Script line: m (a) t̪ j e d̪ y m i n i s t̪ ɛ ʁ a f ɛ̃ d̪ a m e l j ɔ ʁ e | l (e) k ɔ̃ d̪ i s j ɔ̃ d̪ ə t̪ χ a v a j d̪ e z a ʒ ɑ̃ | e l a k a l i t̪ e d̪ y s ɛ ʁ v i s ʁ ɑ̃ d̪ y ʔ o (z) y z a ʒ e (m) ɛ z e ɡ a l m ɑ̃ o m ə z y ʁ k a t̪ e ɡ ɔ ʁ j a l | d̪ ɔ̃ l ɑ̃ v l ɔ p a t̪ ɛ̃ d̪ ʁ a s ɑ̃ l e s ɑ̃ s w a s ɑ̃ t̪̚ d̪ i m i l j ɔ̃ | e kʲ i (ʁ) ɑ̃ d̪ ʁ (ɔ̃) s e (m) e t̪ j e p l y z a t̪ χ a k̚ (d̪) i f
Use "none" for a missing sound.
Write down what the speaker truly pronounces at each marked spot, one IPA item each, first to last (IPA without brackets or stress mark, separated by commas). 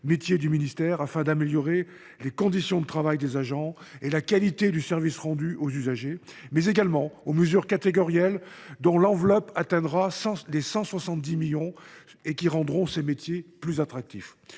e, e, z, m, ʁ, ɔ̃, m, t̪